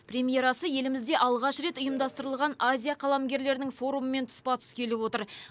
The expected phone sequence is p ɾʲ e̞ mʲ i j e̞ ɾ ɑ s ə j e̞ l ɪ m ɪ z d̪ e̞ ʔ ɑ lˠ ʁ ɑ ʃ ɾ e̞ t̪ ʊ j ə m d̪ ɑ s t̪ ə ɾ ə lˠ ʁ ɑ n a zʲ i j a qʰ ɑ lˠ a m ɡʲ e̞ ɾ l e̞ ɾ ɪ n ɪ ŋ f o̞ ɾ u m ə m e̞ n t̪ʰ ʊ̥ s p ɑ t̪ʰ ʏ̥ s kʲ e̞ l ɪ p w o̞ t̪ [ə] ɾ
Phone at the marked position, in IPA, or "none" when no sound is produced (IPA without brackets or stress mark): ə